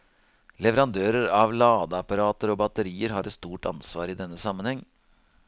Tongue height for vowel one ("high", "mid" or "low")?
mid